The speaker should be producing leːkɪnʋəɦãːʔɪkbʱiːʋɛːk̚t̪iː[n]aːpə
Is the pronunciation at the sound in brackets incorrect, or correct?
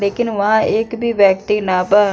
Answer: correct